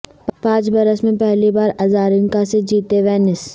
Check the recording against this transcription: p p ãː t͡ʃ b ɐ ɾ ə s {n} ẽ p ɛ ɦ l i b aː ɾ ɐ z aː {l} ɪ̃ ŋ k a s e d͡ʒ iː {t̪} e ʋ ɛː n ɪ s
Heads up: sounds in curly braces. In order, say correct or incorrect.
incorrect: m, incorrect: ɾ, correct

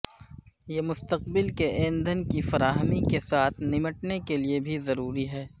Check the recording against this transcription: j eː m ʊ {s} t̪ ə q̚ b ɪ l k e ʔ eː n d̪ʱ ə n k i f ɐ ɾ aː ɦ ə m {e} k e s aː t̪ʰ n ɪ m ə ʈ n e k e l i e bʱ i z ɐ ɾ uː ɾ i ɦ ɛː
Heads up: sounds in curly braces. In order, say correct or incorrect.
correct, incorrect: i

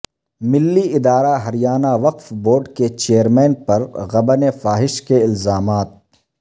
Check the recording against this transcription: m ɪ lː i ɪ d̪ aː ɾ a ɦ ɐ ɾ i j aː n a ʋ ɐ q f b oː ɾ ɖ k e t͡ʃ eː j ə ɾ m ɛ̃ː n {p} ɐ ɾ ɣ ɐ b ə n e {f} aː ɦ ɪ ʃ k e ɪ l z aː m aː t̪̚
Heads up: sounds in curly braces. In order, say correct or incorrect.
correct, correct

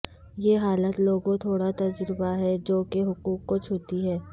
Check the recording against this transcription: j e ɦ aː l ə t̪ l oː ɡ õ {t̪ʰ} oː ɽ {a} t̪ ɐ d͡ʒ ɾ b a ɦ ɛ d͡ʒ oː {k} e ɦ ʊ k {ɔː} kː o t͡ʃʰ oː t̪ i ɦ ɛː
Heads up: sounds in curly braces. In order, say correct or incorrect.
correct, correct, correct, incorrect: uː

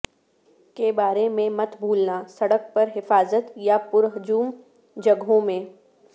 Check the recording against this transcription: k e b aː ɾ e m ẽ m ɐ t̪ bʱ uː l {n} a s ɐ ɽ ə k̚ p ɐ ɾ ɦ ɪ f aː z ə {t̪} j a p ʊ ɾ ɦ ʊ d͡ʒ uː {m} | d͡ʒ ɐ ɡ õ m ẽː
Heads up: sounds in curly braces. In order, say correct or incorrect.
correct, correct, correct

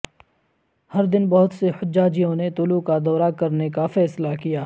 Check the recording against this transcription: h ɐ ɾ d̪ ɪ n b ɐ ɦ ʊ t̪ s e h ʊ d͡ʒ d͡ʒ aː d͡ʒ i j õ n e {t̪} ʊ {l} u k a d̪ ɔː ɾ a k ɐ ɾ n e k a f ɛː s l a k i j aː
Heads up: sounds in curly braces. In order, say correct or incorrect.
correct, correct

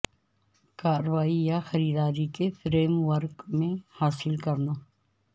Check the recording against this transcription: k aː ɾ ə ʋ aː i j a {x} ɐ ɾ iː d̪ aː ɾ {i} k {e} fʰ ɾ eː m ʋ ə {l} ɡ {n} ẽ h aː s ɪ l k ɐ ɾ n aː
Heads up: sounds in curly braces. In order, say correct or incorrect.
correct, correct, correct, incorrect: ɾ, incorrect: m

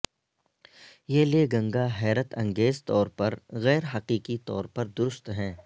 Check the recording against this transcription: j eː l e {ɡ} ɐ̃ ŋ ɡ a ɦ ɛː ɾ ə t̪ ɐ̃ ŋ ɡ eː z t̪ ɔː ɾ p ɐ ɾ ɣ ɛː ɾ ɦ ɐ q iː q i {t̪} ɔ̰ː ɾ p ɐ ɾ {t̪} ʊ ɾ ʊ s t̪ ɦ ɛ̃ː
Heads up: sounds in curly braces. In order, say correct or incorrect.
correct, correct, incorrect: d̪

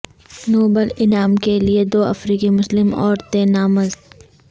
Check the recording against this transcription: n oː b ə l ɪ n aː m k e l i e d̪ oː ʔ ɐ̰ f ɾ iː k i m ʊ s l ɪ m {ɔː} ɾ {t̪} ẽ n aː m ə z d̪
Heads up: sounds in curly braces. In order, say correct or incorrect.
correct, correct

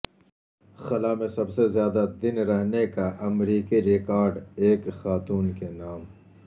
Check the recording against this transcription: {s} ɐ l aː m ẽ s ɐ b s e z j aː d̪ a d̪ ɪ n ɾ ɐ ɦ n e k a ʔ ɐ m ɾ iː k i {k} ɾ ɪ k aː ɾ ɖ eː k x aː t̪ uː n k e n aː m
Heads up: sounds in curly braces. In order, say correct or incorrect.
incorrect: x, incorrect: none

